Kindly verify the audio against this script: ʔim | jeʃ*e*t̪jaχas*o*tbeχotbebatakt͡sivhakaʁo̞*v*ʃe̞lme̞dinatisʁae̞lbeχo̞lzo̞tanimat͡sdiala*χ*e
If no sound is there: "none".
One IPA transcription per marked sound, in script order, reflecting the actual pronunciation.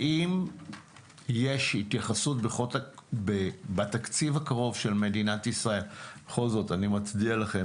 i, u, v, χ

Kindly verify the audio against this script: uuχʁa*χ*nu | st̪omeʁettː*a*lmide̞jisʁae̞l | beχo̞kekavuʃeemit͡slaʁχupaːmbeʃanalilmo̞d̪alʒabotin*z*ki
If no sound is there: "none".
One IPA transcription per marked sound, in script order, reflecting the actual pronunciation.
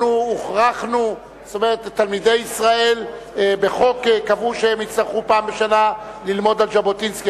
χ, a, s

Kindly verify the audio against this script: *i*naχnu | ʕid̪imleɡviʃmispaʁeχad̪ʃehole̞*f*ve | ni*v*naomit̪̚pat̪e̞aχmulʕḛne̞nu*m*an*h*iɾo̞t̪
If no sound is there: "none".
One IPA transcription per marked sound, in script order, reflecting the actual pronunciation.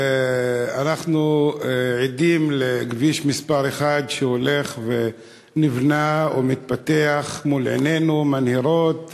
a, χ, v, m, h

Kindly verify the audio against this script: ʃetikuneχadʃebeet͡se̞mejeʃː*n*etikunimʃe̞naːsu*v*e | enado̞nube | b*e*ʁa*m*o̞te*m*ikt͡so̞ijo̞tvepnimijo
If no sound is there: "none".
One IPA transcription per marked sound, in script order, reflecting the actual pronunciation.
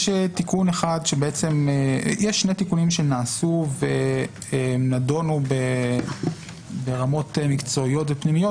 n, v, e, m, m

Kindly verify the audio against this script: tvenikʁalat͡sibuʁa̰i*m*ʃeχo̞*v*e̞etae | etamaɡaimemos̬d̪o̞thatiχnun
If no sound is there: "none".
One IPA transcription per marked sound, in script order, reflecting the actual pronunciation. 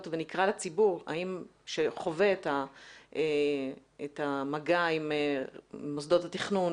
m, v

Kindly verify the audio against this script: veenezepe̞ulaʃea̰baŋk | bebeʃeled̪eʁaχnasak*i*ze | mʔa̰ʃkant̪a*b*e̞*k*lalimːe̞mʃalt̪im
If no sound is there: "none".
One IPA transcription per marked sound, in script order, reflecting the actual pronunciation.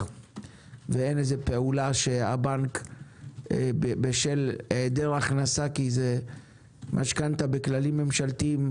i, b, k

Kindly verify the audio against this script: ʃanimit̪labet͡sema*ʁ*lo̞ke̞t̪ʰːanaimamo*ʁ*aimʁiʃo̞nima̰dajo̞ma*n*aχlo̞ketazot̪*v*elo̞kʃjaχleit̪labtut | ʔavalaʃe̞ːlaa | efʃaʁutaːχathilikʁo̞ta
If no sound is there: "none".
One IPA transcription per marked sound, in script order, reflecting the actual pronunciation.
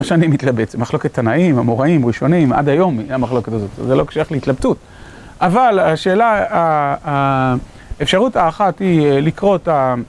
χ, ʁ, m, z

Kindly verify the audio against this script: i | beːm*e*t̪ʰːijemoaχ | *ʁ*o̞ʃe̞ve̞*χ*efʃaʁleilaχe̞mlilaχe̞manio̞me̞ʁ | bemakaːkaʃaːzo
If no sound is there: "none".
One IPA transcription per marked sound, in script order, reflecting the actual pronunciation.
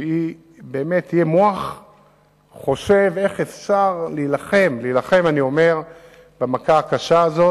e, χ, χ

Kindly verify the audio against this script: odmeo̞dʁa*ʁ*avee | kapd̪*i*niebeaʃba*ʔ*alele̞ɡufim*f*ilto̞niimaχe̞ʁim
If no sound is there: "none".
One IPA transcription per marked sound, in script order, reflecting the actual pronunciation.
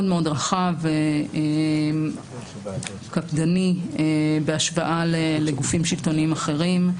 χ, a, ʔ, ʃ

